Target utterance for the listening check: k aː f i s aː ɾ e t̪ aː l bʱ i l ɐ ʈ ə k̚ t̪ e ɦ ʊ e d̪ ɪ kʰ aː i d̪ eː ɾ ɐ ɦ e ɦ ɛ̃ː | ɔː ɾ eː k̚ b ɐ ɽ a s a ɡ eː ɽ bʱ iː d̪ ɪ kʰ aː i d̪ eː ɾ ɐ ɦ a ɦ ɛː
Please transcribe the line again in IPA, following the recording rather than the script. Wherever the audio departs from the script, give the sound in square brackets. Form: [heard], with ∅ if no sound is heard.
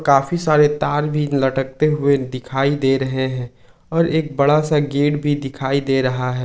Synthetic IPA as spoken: k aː f i s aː ɾ e t̪ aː [ɾ] bʱ i l ɐ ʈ ə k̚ t̪ e ɦ ʊ e d̪ ɪ kʰ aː i d̪ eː ɾ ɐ ɦ e ɦ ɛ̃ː | ɔː ɾ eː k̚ b ɐ ɽ a s a ɡ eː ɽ bʱ [i] d̪ ɪ kʰ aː i d̪ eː ɾ ɐ ɦ a ɦ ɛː